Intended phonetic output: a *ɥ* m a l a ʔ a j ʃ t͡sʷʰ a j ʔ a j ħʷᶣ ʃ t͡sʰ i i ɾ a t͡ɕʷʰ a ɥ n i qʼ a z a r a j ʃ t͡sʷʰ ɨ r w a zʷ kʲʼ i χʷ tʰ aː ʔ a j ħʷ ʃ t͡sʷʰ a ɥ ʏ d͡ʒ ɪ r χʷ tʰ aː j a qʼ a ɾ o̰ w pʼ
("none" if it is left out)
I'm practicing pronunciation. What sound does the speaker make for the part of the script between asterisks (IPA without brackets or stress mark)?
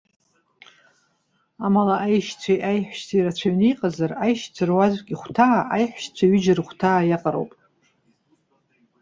none